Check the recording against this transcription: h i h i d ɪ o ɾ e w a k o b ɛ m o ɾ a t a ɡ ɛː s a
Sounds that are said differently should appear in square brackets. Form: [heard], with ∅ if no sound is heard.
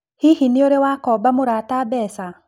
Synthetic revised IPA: h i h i [n] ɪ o ɾ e w a k [ɔ] b [a] m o ɾ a t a [b] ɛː s a